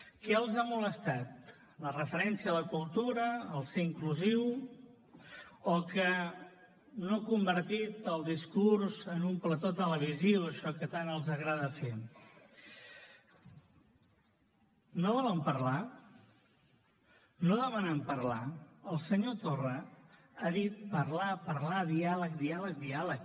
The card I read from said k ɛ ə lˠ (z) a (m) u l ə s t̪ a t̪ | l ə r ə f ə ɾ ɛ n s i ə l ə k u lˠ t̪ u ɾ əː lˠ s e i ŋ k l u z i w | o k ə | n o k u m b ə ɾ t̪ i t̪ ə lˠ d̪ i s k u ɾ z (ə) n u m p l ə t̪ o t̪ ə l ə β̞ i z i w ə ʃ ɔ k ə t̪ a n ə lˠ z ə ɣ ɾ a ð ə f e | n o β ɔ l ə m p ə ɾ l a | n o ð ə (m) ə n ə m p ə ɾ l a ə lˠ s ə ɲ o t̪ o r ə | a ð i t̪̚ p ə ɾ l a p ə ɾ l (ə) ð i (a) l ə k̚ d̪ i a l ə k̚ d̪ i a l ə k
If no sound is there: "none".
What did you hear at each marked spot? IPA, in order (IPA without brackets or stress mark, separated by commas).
z, m, ə, m, a, a